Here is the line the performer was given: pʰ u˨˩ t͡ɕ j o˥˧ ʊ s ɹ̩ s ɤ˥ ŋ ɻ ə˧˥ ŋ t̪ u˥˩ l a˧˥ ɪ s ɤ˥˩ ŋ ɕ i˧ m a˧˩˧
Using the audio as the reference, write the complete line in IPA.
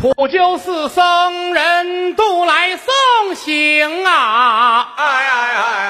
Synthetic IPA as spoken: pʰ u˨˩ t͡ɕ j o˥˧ ʊ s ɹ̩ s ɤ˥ ŋ ɻ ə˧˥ n t̪ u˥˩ l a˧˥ ɪ s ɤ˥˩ ŋ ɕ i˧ ŋ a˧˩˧